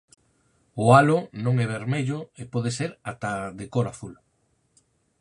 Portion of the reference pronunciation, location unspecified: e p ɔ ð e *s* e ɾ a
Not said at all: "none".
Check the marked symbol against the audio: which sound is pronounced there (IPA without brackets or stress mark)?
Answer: s